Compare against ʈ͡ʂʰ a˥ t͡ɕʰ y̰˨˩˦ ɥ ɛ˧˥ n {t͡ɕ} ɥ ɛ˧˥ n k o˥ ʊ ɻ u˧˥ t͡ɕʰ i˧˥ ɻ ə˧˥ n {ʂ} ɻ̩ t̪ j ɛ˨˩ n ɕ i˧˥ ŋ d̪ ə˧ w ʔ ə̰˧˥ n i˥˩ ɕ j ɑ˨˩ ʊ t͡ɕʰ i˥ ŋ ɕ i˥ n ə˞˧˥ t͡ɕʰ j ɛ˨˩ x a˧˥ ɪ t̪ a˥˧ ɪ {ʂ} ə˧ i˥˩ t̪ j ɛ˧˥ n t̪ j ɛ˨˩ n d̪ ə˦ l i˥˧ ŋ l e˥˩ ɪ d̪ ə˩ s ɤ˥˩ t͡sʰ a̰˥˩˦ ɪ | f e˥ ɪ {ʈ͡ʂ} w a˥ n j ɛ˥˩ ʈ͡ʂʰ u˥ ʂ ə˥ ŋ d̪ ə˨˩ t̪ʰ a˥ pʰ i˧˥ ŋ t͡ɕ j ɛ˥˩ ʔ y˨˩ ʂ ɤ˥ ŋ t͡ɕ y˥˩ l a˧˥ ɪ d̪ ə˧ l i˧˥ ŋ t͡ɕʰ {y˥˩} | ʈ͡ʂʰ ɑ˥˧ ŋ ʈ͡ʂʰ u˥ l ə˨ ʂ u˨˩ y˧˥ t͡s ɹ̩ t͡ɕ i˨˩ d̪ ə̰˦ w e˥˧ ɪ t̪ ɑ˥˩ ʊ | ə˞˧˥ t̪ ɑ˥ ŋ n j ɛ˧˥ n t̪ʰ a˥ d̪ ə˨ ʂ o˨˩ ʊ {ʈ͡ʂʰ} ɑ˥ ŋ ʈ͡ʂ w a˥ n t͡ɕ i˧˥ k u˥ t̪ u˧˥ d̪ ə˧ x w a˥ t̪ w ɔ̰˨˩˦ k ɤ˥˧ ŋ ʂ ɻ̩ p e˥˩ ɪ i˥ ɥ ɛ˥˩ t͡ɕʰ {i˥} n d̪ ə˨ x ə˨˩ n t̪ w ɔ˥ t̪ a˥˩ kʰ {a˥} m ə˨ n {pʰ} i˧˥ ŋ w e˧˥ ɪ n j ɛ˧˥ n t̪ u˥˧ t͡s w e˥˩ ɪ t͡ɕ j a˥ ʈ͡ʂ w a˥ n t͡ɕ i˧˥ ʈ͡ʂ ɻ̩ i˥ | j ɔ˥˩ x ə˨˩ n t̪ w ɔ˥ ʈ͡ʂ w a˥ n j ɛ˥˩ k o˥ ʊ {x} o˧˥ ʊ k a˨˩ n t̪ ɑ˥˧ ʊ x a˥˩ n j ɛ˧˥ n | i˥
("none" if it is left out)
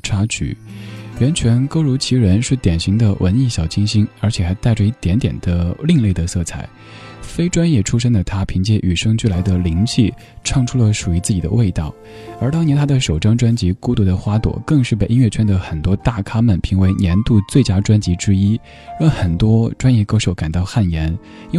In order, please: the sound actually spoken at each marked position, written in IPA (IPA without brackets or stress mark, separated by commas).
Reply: t͡ɕʰ, ʂ, ʈ͡ʂ, ʈ͡ʂ, i˥˩, ʈ͡ʂ, ɛ˥, a˥, pʰ, ʂ